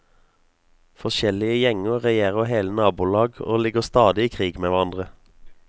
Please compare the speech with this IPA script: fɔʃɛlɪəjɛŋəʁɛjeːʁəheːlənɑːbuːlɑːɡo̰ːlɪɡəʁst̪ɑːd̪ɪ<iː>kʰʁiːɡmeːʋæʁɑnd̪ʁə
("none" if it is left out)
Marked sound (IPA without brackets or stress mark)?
iː